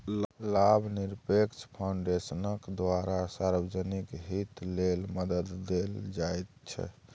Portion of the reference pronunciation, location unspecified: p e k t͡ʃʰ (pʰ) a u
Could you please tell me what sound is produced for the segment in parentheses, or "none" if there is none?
pʰ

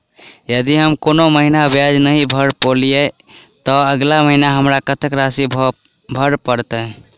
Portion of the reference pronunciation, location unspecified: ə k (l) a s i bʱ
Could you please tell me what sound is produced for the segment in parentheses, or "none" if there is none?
ɾ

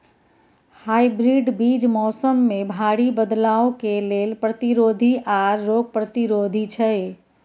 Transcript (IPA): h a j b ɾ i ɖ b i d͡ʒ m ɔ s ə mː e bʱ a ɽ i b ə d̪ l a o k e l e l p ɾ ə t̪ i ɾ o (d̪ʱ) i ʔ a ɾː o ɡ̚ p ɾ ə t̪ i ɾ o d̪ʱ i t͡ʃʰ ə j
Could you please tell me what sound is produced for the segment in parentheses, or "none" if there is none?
d̪ʱ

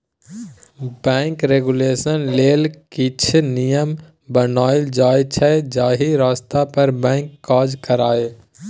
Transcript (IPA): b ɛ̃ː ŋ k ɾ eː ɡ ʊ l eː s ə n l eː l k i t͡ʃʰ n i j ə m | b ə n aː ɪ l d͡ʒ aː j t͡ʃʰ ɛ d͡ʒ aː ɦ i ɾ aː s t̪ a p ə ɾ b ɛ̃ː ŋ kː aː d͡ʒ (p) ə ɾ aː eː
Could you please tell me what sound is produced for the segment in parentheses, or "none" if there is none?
k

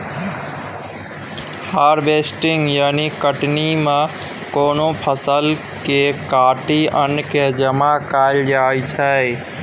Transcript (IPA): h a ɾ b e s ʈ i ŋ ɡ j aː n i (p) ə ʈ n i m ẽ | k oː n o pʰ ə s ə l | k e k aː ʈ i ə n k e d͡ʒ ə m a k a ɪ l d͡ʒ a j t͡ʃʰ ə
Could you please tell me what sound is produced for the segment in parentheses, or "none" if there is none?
k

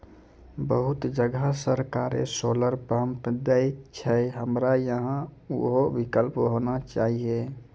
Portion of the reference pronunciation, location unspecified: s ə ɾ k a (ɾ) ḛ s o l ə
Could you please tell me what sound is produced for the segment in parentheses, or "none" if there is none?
ɾ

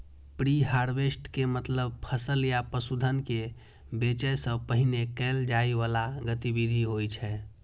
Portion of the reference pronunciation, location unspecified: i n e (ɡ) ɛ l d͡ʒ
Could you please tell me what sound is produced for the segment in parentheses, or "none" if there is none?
k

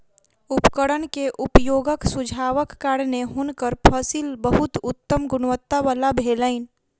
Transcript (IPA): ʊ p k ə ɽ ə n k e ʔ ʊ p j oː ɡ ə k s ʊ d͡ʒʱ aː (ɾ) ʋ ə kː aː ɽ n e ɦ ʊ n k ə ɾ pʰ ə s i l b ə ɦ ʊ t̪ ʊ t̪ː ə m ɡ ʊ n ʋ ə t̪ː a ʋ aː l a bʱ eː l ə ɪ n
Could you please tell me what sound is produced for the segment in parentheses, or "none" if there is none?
none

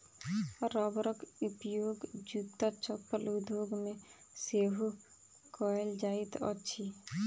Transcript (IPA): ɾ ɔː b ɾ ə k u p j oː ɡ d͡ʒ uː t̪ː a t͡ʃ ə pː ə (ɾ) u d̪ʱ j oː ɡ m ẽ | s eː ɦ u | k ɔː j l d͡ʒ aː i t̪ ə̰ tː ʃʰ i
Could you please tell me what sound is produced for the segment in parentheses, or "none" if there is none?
l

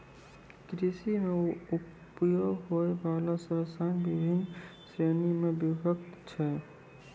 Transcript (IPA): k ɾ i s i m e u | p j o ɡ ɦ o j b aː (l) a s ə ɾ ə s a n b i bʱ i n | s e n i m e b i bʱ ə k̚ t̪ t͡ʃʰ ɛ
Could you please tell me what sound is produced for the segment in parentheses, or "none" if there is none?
l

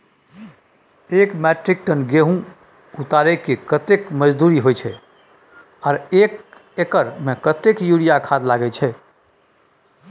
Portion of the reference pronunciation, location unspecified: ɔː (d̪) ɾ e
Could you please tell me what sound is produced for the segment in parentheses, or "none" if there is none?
none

